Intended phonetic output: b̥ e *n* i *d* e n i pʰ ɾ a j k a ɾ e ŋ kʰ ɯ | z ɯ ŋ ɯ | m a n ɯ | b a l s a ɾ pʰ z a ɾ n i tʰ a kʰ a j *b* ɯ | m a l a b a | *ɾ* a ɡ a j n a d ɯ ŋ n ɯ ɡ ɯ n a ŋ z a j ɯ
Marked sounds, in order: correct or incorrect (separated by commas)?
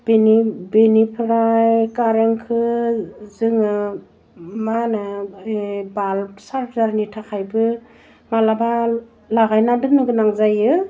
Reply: correct, incorrect, correct, incorrect